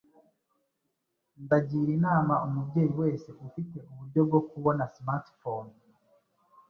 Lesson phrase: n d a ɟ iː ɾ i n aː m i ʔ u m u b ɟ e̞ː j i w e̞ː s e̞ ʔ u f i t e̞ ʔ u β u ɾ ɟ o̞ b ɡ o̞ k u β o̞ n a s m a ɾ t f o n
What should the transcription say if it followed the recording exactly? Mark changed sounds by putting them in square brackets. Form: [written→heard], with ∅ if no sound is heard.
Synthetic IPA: n d a ɟ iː ɾ i n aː m [i→a] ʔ u m u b ɟ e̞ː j i w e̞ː s e̞ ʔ u f i t e̞ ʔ u β u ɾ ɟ o̞ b ɡ o̞ k u β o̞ n a s m a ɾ t f o n